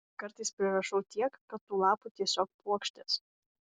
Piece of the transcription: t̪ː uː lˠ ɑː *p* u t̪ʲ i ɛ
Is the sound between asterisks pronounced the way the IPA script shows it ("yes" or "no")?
yes